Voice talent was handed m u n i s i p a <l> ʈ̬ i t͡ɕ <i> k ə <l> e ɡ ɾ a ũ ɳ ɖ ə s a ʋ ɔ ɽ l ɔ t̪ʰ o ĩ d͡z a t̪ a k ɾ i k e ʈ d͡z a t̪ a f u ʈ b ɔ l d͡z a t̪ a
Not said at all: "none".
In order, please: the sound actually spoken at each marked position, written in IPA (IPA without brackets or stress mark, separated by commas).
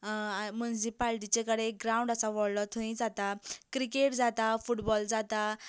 l, e, ɽ